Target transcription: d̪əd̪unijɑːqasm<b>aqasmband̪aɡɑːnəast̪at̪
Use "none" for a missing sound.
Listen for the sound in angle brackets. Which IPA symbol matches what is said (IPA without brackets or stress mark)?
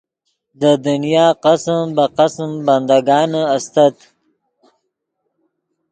b